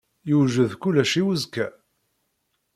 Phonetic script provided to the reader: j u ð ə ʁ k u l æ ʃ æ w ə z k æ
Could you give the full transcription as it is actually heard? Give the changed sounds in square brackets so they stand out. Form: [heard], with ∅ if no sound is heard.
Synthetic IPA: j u [ʒ] ə [ð] k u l æ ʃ [i] w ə z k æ